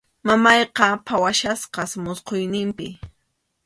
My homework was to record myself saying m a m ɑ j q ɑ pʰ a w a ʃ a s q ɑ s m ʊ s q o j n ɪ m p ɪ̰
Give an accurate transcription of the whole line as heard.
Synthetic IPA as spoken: m a m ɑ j q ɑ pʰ a w a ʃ a s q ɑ s m ʊ s q o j n ɪ m p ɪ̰